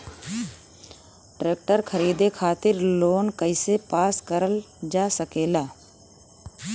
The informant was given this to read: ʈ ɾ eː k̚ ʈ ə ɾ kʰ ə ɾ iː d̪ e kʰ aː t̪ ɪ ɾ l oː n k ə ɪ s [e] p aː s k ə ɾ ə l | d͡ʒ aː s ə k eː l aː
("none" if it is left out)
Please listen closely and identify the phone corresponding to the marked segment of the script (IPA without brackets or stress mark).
e